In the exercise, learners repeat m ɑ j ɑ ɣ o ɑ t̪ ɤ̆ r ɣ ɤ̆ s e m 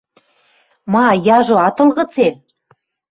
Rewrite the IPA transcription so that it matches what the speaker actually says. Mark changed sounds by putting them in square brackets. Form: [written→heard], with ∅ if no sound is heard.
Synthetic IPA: m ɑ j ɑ [ɣ→ʒ] o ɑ t̪ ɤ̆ [r→l] ɣ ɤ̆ [s→t͡s] e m